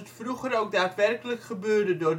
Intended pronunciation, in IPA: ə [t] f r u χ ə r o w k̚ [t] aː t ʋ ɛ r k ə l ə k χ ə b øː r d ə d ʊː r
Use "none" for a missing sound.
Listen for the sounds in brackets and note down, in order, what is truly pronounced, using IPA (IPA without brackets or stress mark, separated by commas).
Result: t, d